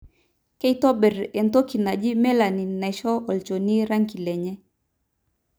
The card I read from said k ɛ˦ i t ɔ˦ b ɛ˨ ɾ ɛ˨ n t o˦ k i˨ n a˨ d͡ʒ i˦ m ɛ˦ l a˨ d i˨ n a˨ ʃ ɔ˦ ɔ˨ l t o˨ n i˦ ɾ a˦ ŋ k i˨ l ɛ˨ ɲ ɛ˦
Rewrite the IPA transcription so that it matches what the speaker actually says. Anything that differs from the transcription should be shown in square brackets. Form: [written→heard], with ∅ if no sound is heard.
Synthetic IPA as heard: k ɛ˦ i t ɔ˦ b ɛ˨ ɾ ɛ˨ n t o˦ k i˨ n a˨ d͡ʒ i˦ m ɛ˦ l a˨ [d→n] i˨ n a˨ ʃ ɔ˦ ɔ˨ l [t→t͡ʃ] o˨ n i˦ ɾ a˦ ŋ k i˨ l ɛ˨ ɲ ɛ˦